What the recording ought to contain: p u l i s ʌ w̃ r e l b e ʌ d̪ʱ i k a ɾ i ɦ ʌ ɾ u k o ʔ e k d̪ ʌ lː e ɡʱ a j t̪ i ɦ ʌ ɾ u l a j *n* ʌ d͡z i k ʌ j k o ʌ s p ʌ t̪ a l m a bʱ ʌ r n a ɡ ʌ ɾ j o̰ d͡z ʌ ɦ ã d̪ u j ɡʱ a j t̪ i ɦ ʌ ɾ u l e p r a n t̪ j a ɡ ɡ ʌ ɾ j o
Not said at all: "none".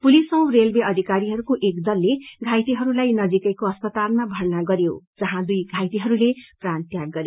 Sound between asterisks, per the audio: n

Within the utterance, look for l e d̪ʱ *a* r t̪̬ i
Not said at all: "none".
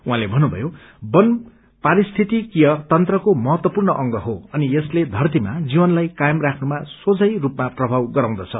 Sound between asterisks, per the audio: ʌ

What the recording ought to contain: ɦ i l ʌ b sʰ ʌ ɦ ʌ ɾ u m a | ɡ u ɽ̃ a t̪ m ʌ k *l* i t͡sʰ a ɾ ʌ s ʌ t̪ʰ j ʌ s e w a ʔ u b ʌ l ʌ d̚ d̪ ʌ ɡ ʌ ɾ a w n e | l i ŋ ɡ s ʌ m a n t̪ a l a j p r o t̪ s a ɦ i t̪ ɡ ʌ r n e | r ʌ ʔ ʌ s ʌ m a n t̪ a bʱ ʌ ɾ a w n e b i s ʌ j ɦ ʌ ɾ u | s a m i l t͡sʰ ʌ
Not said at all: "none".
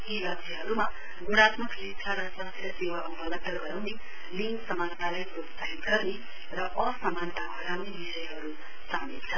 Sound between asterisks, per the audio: l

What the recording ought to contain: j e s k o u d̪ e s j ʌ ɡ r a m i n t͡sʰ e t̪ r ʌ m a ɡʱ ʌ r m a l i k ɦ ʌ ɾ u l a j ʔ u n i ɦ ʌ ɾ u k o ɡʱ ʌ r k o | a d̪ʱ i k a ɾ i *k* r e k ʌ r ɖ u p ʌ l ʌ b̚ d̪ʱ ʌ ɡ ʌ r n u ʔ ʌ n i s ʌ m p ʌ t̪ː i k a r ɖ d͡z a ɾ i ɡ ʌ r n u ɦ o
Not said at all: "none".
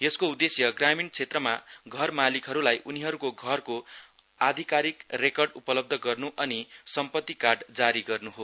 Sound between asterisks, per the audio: k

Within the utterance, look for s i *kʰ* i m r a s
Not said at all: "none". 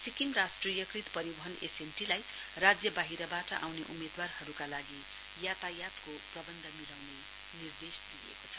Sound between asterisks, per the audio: k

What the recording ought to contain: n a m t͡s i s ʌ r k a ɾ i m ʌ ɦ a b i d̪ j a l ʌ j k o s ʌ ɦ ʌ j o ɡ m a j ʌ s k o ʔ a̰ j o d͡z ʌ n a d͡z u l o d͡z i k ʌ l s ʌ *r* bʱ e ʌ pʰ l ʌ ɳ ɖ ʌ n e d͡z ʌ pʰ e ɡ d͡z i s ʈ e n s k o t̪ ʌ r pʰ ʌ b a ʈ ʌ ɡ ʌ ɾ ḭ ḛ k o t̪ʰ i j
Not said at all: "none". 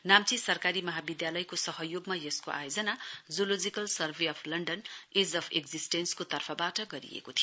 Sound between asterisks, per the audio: r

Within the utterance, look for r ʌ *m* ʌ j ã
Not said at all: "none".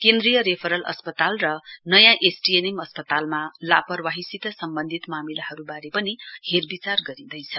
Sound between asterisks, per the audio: n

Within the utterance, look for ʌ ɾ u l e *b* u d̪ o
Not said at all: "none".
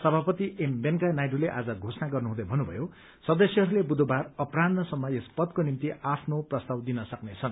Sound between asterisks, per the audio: b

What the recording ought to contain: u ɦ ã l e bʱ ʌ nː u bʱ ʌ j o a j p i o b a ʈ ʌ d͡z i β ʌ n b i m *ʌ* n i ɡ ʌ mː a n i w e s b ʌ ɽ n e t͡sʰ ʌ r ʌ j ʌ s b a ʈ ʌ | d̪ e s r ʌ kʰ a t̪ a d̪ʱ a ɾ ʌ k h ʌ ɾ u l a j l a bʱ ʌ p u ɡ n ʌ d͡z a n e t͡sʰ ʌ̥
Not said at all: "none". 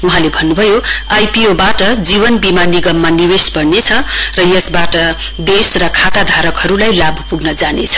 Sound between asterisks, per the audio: a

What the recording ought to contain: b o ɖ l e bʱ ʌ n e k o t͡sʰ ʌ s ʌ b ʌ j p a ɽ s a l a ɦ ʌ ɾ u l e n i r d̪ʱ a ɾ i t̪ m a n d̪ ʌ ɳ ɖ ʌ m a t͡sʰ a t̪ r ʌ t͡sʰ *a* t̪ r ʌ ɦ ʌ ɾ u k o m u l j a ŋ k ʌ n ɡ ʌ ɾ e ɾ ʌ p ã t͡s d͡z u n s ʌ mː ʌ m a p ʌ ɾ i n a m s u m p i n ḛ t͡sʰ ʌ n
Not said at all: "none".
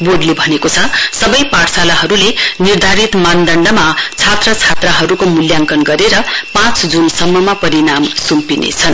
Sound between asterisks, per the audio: a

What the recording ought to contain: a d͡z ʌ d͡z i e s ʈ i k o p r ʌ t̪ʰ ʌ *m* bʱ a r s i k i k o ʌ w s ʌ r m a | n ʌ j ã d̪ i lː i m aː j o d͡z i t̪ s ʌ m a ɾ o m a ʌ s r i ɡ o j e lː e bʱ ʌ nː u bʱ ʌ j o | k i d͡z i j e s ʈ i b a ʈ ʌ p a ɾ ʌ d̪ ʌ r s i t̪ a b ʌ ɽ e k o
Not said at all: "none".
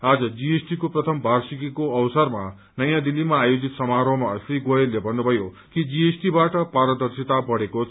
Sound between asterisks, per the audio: m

